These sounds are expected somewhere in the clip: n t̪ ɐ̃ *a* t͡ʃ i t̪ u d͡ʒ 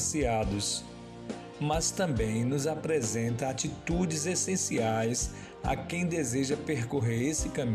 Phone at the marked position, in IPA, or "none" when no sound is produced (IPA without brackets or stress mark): a